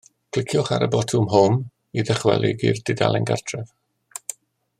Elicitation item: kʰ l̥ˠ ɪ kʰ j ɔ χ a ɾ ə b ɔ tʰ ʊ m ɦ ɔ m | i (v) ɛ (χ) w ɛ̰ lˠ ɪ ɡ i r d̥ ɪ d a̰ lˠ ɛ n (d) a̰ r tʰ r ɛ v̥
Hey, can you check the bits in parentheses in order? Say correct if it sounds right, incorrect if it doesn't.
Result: incorrect: ð, correct, incorrect: ɡ

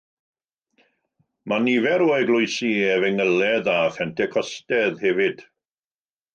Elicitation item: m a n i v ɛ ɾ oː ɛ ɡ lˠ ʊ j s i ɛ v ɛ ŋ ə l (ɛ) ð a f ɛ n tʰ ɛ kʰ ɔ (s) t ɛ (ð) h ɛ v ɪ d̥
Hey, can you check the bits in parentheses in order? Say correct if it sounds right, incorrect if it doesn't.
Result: correct, correct, correct

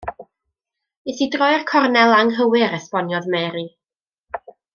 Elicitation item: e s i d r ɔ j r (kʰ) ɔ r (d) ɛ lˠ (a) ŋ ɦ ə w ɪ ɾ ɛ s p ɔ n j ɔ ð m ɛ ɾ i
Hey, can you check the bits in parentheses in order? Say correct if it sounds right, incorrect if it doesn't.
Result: correct, incorrect: n, correct

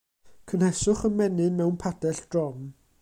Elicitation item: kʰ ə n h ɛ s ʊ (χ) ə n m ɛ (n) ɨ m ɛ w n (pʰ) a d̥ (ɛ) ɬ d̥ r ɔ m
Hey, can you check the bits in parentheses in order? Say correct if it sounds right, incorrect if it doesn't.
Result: correct, correct, correct, correct

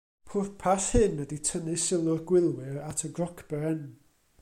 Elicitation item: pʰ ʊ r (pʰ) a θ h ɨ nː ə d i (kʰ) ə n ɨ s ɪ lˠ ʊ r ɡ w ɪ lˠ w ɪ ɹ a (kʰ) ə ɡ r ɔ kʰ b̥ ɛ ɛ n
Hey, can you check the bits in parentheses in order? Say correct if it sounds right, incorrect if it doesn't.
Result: correct, incorrect: tʰ, incorrect: tʰ

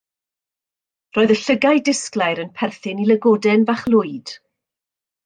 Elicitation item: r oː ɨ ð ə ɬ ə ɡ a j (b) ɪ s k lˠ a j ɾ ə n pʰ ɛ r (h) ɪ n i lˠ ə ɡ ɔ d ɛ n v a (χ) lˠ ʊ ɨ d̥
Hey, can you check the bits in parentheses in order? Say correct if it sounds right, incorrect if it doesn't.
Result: incorrect: d, incorrect: θ, correct

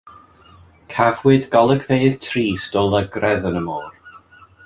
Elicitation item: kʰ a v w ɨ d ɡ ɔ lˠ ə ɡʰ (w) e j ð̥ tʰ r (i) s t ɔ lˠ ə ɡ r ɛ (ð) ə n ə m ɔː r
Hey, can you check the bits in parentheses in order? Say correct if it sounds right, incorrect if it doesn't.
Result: incorrect: v, incorrect: iː, correct

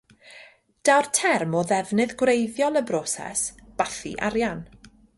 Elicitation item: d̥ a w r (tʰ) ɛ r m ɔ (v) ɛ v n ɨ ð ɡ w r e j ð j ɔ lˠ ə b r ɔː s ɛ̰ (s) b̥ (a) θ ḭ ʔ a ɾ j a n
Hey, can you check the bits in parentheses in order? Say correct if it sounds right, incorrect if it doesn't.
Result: correct, incorrect: ð, correct, correct

